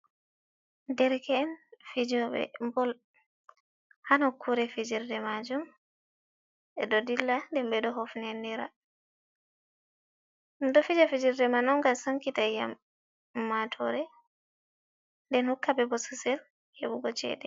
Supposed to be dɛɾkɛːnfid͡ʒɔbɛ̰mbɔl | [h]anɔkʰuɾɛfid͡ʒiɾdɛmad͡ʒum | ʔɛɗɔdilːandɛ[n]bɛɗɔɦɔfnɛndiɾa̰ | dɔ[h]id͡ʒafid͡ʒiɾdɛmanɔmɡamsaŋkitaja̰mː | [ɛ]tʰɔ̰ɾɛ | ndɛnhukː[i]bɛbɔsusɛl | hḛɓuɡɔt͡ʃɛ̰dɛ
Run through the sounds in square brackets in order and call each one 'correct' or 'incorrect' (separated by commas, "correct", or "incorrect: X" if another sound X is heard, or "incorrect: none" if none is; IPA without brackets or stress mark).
correct, incorrect: m, incorrect: f, incorrect: a, incorrect: a